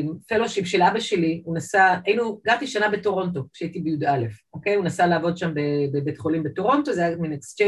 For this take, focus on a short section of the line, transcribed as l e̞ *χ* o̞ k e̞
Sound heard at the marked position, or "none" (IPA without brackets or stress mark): f